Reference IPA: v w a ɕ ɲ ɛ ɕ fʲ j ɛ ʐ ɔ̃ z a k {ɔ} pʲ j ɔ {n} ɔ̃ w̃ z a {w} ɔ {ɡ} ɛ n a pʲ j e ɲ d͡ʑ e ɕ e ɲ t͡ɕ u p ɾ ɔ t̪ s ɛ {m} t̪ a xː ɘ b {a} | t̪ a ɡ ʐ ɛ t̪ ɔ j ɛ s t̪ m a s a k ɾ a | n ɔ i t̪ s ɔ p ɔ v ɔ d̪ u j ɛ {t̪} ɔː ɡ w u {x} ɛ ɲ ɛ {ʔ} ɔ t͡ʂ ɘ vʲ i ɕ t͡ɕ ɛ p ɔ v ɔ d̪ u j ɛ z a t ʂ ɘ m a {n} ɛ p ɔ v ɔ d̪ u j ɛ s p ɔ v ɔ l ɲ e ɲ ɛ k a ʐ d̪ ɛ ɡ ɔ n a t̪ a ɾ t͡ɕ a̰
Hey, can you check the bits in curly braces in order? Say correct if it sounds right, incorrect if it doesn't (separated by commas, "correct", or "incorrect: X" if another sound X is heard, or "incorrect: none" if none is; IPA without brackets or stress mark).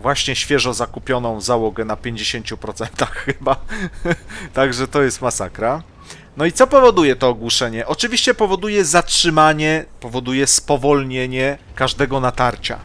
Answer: incorrect: u, correct, correct, correct, incorrect: n, correct, correct, incorrect: ʂ, correct, incorrect: ɲ